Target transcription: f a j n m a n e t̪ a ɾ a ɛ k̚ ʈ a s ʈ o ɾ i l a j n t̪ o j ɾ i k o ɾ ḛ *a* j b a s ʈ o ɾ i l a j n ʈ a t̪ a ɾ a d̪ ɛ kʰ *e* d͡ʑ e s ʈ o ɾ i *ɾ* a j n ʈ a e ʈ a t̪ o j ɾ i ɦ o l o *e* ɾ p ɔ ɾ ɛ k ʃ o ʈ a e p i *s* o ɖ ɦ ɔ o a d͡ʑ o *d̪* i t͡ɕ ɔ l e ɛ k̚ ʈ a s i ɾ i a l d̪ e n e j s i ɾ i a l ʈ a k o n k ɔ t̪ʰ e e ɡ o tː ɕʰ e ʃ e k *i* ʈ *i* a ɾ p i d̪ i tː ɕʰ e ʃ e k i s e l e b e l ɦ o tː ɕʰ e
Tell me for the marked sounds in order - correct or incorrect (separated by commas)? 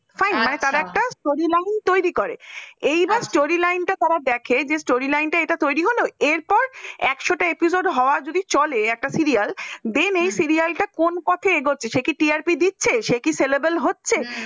incorrect, correct, incorrect, correct, correct, correct, correct, correct